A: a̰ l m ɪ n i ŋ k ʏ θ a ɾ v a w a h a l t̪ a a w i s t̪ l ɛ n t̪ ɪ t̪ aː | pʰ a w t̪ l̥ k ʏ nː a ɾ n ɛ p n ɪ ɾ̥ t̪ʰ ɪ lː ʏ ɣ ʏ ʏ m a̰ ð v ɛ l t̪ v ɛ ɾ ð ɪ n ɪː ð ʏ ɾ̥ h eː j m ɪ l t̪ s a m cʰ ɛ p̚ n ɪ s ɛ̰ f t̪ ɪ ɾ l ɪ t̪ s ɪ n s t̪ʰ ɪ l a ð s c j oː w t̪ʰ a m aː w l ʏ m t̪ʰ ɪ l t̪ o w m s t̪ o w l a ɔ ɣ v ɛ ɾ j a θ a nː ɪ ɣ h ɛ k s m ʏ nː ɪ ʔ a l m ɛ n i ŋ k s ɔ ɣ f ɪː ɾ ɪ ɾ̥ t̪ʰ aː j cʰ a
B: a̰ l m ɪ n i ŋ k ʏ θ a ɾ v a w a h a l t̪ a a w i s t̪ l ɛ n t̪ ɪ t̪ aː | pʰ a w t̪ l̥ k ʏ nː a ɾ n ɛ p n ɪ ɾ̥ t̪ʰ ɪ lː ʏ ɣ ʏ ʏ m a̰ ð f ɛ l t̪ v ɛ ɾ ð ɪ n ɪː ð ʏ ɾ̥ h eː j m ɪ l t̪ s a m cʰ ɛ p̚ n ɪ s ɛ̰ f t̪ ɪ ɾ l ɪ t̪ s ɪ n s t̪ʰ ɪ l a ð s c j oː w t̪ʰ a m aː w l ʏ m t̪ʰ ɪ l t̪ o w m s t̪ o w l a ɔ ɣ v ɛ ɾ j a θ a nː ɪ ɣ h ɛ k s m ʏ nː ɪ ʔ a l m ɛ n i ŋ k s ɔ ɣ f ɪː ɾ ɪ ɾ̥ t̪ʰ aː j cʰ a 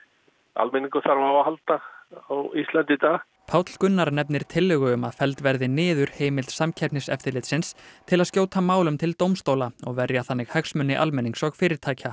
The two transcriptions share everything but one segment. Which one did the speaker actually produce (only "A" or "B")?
B